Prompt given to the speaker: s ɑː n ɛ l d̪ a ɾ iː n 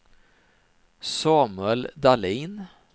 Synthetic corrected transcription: s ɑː m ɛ l d̪ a l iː n